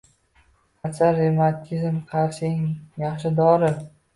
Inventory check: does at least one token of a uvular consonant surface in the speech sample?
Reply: yes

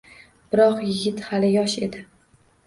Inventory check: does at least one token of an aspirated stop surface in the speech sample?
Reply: no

